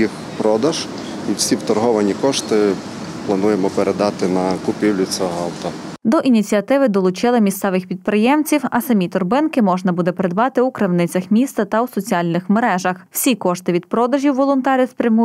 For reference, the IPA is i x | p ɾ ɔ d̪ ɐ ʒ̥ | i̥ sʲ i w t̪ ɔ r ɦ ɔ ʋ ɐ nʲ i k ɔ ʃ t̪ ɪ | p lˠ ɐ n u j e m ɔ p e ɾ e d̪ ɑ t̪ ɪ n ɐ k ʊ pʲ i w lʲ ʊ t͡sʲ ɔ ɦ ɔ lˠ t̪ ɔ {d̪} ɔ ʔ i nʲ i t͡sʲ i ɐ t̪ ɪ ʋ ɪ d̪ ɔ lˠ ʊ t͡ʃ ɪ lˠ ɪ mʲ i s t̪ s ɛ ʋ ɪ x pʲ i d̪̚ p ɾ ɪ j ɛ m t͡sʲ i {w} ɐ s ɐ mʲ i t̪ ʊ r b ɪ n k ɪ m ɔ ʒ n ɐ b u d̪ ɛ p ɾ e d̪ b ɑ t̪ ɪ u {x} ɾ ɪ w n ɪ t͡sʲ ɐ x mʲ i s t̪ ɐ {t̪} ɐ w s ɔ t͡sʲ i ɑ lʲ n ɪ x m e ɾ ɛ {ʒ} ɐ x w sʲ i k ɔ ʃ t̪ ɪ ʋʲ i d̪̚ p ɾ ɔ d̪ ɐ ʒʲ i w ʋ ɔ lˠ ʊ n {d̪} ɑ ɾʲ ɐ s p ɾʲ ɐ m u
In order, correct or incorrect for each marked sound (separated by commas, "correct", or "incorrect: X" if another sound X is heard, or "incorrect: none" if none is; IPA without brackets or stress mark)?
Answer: correct, correct, incorrect: k, correct, correct, incorrect: t̪